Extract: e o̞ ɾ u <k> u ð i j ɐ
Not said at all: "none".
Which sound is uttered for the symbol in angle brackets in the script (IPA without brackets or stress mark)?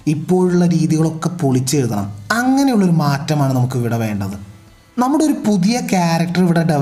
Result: p